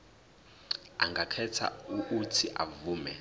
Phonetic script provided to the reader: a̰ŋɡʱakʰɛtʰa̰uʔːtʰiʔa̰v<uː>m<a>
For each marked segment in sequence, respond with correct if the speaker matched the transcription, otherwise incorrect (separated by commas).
correct, incorrect